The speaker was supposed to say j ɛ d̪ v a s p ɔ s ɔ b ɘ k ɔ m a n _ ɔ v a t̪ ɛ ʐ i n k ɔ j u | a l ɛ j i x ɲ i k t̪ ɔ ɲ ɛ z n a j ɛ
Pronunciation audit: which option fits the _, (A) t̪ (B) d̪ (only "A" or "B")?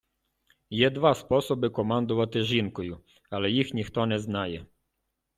B